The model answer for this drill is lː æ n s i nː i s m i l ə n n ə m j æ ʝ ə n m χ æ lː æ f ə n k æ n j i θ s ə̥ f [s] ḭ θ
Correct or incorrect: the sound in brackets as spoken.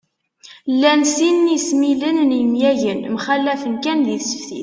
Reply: incorrect: θ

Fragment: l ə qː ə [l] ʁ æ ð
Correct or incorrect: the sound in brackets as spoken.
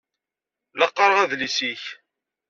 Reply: incorrect: ɾ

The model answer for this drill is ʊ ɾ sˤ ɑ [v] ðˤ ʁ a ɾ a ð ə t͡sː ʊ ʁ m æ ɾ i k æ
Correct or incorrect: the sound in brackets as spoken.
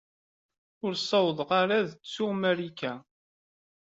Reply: incorrect: w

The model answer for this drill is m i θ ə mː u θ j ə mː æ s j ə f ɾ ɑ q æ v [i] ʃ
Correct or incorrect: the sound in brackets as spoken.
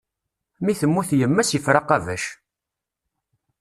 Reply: incorrect: æ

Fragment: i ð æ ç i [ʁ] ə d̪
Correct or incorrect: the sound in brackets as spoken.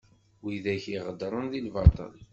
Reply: correct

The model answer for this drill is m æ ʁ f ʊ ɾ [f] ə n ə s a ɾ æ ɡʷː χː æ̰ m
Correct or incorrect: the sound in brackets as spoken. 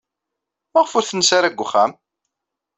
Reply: incorrect: θ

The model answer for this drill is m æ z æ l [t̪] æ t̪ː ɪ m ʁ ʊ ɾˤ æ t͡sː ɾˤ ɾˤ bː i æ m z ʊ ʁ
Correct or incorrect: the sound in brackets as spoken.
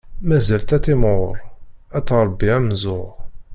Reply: correct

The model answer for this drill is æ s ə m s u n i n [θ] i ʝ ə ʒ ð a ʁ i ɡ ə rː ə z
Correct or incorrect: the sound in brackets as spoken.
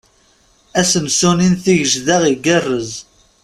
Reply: correct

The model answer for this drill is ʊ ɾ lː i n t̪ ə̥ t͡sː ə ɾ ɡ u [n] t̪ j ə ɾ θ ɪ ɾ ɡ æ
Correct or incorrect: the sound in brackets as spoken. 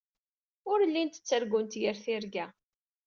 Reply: correct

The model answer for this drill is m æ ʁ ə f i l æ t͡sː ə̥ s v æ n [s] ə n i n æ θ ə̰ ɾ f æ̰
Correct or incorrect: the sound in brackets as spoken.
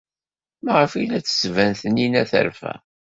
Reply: incorrect: θ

